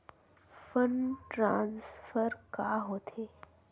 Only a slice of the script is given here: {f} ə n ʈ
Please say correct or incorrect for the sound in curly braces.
correct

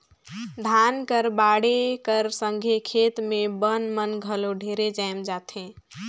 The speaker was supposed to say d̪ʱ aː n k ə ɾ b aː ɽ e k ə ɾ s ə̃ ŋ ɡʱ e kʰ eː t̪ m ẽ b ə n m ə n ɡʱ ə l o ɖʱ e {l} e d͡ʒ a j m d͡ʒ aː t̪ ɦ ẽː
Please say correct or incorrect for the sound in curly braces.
incorrect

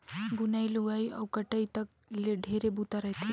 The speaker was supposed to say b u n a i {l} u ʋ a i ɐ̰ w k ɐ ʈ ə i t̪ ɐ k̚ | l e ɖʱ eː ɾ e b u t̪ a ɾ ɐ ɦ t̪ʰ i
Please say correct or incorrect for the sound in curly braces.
correct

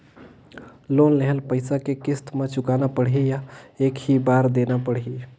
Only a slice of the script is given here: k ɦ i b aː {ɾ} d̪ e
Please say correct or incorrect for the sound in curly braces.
correct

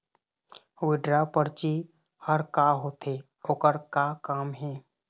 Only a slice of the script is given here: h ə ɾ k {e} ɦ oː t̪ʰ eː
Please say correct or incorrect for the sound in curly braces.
incorrect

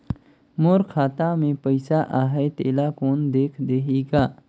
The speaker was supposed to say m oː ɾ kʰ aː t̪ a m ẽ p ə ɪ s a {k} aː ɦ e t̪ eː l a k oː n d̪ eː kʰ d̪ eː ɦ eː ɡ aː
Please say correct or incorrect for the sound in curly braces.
incorrect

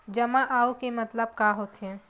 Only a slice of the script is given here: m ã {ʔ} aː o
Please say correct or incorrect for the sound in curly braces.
correct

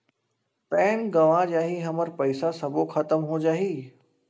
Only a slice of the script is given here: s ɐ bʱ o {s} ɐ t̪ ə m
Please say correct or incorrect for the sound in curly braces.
incorrect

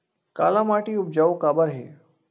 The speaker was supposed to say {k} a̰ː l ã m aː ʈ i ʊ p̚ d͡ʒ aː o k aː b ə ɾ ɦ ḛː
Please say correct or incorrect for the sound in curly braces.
correct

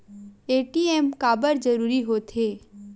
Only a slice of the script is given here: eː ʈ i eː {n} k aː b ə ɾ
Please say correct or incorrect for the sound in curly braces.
incorrect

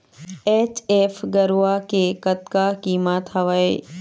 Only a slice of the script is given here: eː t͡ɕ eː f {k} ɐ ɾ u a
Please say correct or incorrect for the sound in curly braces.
incorrect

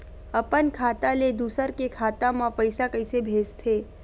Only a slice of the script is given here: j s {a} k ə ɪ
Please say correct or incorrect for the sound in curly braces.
correct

